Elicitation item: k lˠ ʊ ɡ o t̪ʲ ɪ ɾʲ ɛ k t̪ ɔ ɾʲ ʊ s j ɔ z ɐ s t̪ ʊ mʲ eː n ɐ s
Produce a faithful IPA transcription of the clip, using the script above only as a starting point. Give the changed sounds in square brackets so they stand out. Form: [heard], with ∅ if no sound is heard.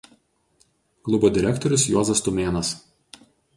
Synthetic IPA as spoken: k lˠ ʊ [b] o [d̪ʲ] ɪ ɾʲ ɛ k t̪ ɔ ɾʲ ʊ s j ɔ z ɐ s t̪ ʊ mʲ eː n ɐ s